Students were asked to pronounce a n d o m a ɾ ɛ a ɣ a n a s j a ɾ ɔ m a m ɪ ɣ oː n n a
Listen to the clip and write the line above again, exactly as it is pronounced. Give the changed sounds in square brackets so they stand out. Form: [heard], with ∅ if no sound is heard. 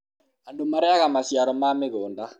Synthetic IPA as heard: a n d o m a ɾ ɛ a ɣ a [m] a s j a ɾ ɔ m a m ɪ ɣ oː n [d] a